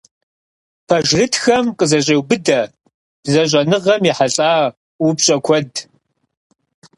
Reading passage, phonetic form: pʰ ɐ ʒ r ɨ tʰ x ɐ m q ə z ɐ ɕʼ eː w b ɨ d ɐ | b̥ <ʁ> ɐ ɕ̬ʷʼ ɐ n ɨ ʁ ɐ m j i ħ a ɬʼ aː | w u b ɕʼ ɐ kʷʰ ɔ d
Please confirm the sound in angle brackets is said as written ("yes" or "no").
no